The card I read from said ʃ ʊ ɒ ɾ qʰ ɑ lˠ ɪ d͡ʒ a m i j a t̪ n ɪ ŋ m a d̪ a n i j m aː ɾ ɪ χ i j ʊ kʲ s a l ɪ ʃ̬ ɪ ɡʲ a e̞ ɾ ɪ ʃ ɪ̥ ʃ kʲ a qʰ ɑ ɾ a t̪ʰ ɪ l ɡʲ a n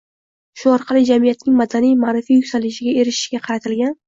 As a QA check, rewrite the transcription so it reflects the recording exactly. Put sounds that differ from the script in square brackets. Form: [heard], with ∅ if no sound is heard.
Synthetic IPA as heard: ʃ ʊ ɒ ɾ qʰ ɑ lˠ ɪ d͡ʒ a m i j a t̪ n ɪ ŋ m a d̪ a n i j m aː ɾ ɪ [f] i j ʊ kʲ s a l ɪ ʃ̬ ɪ ɡʲ a e̞ ɾ ɪ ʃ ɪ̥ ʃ [ɡʲ] a qʰ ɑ ɾ a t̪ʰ ɪ l ɡʲ a n